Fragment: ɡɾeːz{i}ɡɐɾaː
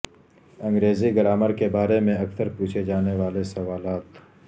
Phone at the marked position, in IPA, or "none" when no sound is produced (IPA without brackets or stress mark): i